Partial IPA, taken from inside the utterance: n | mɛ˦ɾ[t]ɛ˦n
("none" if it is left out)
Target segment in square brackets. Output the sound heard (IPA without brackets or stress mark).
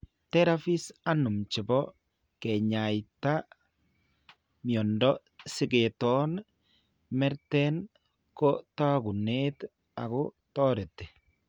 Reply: t